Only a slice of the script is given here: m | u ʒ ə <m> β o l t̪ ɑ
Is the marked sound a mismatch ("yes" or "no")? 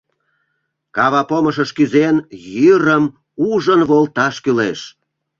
yes